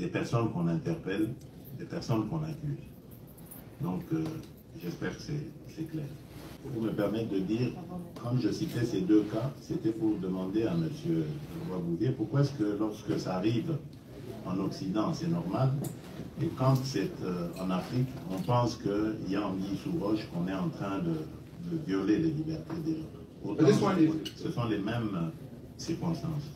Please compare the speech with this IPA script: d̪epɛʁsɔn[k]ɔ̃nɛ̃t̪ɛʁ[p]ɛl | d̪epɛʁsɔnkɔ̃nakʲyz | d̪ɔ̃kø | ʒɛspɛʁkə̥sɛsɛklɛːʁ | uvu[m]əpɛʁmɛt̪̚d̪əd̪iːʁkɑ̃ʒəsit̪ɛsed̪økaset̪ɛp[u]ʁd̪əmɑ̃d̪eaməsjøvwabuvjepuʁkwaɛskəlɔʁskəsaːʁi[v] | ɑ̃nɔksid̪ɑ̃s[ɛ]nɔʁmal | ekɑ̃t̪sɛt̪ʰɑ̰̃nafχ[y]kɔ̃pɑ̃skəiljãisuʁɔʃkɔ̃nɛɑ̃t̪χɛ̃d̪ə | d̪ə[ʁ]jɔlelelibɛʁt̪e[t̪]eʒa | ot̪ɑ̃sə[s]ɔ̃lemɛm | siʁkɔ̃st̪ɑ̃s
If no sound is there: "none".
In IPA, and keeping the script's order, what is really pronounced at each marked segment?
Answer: k, p, m, u, v, ɛ, i, v, d̪, s

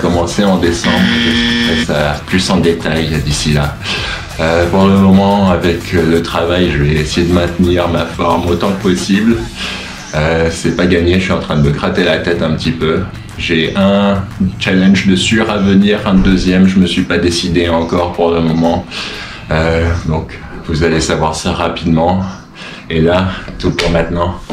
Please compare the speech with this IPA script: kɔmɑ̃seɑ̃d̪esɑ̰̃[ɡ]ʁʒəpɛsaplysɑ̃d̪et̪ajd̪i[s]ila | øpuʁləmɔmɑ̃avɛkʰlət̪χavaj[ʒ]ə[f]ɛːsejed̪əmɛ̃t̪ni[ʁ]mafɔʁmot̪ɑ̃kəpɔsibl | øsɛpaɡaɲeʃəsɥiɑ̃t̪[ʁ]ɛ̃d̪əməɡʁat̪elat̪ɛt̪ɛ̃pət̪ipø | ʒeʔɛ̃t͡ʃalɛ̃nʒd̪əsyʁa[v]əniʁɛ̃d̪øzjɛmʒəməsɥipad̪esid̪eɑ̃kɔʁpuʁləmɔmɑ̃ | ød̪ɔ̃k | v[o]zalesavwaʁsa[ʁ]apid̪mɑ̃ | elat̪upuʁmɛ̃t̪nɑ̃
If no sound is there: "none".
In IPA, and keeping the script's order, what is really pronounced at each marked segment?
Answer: b, s, ʒ, v, ʁ, χ, v, u, ʁ

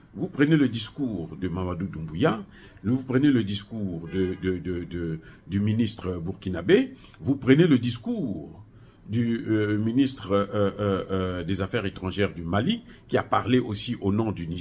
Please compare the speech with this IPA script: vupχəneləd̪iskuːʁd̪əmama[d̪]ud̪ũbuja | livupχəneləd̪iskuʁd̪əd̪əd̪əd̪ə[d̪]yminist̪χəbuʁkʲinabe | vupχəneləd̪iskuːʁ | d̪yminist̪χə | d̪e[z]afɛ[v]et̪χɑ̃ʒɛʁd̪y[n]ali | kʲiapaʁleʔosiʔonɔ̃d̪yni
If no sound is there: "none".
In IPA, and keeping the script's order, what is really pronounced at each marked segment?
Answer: d̪, d̪, z, ʁ, m

